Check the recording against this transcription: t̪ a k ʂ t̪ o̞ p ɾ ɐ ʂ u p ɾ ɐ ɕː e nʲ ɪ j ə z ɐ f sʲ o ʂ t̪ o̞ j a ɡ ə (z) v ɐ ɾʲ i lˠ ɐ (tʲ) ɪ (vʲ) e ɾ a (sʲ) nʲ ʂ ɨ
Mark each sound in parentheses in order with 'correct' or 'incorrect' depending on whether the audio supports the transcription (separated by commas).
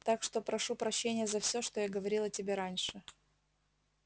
incorrect, correct, incorrect, incorrect